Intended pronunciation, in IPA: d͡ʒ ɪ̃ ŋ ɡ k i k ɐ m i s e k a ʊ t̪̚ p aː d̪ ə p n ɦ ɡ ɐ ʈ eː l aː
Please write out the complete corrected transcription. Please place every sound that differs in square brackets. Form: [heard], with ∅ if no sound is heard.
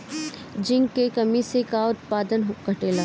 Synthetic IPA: d͡ʒ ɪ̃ ŋ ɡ k [e] k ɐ m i s e k a ʊ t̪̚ p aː d̪ ə [∅] n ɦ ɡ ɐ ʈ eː l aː